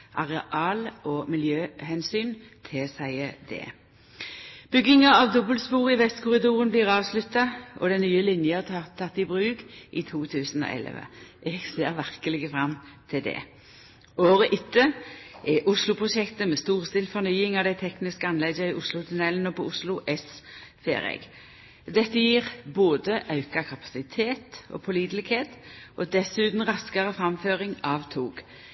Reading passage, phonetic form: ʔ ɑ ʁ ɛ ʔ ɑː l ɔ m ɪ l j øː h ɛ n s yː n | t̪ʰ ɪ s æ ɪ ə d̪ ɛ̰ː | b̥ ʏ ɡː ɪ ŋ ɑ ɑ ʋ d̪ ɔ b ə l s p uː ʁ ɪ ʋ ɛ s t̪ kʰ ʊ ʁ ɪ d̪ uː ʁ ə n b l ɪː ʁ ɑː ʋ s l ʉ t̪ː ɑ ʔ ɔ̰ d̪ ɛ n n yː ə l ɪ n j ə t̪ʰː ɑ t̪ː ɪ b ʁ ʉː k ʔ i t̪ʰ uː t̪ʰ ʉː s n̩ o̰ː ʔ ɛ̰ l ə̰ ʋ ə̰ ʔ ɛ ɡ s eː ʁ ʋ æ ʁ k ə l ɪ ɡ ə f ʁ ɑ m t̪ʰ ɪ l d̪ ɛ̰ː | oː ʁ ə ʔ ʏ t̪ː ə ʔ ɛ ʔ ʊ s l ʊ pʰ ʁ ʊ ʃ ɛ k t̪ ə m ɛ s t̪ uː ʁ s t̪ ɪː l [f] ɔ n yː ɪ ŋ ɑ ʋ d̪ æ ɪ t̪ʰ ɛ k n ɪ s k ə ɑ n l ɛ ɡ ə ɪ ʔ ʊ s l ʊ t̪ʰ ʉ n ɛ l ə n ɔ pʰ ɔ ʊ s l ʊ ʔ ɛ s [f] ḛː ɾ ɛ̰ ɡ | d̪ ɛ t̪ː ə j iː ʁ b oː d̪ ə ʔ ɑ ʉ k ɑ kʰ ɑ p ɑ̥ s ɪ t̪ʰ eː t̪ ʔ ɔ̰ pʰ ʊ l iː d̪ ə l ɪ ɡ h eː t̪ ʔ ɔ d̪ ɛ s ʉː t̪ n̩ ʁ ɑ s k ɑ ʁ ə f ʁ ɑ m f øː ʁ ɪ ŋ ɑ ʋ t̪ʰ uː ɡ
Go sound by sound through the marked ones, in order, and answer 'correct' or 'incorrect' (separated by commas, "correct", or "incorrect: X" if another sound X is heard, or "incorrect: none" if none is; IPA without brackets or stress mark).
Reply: correct, correct